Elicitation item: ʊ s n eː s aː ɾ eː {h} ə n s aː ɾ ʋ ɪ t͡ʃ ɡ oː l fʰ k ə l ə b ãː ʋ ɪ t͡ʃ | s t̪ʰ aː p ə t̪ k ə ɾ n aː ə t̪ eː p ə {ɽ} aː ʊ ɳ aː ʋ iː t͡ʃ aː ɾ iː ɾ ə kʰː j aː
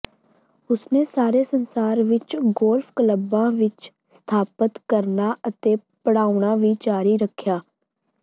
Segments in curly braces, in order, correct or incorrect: incorrect: s, correct

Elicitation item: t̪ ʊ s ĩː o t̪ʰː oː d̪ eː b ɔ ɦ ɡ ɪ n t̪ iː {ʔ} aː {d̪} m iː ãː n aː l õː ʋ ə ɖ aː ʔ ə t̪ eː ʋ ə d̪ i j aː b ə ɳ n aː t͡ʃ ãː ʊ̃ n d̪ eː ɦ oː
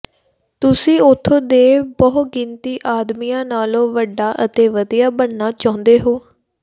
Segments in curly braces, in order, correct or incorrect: correct, correct

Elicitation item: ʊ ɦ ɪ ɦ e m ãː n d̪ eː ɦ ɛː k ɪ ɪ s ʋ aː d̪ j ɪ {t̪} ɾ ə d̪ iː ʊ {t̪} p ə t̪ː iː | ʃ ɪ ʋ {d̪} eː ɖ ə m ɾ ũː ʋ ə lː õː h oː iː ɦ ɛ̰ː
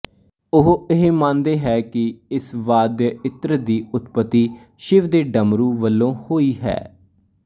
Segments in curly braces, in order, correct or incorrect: correct, correct, correct

